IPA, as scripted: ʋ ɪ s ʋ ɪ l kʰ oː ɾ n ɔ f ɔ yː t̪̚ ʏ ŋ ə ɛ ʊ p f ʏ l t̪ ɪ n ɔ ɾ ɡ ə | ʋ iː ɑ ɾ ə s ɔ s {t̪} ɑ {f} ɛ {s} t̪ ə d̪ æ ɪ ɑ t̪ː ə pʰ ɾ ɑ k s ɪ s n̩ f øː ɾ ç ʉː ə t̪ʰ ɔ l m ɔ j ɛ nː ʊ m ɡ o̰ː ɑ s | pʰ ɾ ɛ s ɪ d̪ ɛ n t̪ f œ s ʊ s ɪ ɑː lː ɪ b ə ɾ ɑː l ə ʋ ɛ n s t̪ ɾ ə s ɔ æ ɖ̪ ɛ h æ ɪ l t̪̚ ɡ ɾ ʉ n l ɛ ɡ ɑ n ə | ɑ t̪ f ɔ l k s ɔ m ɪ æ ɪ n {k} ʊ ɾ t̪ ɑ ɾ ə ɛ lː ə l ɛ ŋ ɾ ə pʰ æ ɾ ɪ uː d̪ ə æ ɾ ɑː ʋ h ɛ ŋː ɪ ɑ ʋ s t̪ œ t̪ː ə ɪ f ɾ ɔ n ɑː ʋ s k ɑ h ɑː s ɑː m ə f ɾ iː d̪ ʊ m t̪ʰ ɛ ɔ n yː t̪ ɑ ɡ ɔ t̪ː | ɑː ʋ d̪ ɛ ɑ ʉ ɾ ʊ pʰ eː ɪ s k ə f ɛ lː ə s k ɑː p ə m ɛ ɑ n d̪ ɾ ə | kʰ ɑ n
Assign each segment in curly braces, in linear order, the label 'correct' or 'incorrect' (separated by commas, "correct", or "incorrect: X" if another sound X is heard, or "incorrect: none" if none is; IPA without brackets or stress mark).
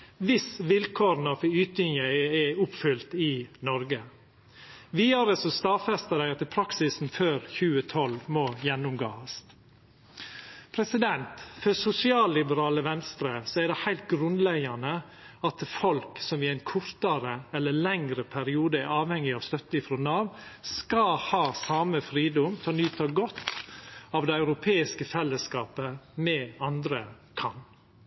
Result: correct, correct, correct, incorrect: kʰ